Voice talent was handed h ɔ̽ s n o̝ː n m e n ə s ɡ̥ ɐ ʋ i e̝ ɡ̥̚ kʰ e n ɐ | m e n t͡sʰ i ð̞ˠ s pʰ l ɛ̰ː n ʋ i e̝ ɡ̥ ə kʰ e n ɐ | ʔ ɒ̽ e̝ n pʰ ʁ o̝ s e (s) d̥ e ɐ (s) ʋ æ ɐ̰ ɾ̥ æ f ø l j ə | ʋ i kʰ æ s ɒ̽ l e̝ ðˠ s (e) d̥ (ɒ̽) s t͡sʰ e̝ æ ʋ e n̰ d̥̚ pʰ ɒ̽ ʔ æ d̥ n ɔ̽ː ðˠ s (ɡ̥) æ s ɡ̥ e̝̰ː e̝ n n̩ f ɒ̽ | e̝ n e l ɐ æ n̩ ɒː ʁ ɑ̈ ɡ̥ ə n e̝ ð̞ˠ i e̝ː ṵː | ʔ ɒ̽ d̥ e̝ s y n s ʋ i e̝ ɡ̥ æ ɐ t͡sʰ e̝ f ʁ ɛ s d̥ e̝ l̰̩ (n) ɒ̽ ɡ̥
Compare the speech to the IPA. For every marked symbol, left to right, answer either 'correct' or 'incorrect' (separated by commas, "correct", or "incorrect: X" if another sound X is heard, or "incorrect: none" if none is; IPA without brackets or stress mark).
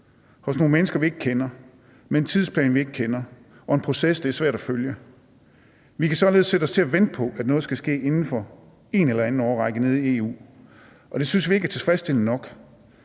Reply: correct, correct, correct, correct, correct, correct